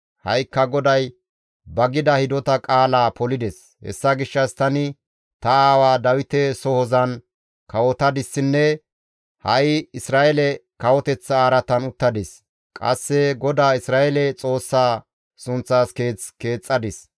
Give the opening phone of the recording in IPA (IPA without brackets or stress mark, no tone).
h